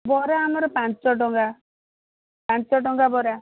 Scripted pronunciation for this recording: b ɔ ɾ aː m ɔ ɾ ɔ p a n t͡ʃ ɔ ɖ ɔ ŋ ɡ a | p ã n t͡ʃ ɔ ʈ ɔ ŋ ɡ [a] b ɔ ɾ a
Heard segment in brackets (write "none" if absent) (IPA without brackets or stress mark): a